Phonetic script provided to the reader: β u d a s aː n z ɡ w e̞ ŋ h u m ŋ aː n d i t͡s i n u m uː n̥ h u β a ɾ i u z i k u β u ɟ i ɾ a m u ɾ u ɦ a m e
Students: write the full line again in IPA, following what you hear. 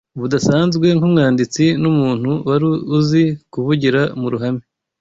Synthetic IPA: β u d a s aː n z ɡ w e̞ ŋ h u m ŋ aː n d i t͡s i n u m uː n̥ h u w a ɾ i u z i k u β u ɟ i ɾ a m u ɾ u ɦ a m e

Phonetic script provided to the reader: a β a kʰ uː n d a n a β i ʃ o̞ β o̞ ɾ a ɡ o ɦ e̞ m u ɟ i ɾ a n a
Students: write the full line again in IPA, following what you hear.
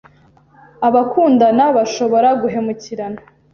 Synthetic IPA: a β a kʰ uː n d a n a β a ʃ o̞ β o̞ ɾ a ɡ u ɦ e̞ m u c i ɾ a n a

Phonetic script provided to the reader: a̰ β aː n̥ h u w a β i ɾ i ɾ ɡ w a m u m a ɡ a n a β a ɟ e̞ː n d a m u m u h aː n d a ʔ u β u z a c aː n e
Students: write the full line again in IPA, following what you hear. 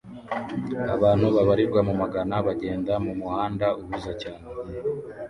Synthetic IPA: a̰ β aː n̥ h u β a β a ɾ i ɾ ɡ w a m u m a ɡ a n a β a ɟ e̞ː n d a m u m u h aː n d a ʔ u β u z a c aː n e

